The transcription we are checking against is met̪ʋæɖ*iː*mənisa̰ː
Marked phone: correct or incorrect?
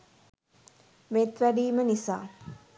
correct